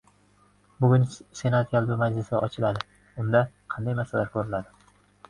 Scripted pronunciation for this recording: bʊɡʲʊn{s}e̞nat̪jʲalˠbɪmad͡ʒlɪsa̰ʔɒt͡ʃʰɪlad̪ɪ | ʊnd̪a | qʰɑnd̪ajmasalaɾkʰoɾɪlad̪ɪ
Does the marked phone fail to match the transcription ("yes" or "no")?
no